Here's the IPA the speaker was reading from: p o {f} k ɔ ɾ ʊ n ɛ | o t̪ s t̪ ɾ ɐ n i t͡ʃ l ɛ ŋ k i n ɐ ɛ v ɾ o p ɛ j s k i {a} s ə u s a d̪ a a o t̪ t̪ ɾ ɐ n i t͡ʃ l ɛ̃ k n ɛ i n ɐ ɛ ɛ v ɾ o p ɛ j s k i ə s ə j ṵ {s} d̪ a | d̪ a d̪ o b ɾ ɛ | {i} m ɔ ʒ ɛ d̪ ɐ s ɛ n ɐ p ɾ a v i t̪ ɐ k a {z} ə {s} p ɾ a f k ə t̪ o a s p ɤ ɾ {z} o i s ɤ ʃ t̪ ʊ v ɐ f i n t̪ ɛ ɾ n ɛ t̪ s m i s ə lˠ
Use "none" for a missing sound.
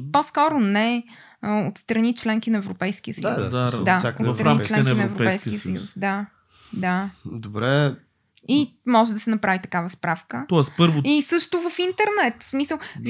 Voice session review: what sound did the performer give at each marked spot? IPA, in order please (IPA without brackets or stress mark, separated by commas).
s, ə, s, i, v, s, v